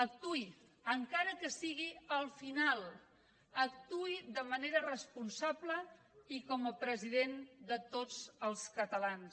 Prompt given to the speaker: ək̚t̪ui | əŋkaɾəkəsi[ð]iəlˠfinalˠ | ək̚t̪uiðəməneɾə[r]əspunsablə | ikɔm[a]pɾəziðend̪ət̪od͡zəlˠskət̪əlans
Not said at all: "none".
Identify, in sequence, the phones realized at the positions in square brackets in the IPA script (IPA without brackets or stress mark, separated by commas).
ɣ, r, ə